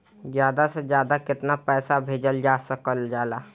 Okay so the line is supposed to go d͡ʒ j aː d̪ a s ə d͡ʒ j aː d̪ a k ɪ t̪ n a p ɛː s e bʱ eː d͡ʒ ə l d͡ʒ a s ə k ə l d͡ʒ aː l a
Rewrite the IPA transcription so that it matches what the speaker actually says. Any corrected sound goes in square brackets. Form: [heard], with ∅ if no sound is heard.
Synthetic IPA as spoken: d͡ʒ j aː d̪ a s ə d͡ʒ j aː d̪ a k ɪ t̪ n a p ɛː s [a] bʱ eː d͡ʒ ə l d͡ʒ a s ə k ə l d͡ʒ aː l a